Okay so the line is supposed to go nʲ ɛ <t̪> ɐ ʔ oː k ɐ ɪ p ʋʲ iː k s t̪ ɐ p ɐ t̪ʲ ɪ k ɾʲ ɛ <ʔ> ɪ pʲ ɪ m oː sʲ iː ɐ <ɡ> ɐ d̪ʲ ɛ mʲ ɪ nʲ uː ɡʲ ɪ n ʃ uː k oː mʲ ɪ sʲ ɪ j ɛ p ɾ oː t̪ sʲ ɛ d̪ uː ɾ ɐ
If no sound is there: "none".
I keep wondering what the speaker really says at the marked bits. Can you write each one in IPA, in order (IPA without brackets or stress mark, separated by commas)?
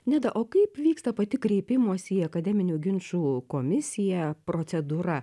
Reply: d̪, none, k